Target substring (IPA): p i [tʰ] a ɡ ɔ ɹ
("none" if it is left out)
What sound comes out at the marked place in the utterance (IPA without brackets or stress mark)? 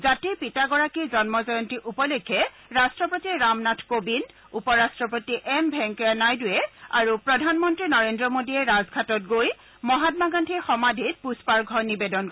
t